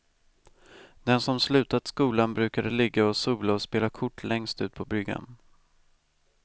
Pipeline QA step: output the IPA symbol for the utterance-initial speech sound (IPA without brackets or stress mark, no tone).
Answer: d̪